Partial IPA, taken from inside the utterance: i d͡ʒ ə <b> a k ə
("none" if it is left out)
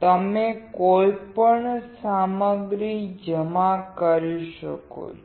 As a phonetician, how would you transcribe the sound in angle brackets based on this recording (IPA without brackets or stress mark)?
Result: m